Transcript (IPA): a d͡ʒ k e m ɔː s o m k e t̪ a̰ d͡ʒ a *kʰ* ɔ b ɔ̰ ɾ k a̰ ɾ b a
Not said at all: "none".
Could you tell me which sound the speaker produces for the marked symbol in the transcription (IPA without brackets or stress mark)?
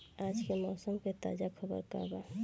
kʰ